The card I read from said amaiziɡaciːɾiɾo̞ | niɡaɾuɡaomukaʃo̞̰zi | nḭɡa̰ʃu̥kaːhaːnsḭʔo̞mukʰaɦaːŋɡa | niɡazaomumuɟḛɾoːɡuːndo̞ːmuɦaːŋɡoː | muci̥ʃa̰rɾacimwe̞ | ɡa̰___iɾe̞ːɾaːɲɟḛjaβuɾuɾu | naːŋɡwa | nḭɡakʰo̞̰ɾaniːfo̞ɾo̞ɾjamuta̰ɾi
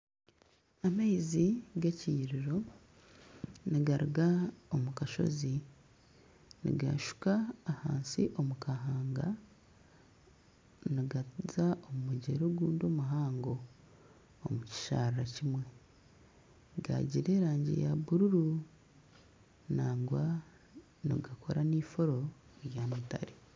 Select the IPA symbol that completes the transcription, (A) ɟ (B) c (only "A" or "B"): A